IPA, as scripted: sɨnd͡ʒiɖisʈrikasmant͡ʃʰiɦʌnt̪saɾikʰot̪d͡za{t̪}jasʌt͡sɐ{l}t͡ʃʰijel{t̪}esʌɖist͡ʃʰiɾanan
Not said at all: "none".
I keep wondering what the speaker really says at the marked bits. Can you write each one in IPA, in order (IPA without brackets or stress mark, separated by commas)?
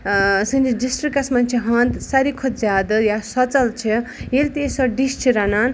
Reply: d̪, l, t̪